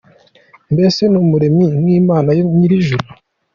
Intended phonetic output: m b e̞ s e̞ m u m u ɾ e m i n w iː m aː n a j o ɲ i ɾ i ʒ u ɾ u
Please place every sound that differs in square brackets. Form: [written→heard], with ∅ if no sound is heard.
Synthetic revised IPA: m b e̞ s e̞ [m→n] u m u ɾ e m i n w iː m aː n a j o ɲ i ɾ i ʒ u ɾ u